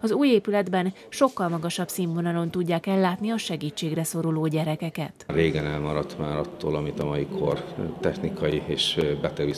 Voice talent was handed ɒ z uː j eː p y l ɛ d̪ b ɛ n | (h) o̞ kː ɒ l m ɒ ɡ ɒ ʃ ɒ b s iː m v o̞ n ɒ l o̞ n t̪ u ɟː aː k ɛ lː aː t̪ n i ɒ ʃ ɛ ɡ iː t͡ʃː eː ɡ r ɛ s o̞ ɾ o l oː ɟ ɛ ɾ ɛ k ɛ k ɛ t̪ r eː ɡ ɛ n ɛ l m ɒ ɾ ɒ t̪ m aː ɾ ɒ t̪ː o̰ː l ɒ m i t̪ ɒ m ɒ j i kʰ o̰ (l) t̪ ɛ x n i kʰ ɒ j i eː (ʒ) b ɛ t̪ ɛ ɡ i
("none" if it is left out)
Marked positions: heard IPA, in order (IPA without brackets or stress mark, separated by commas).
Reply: ʃ, r, ʃ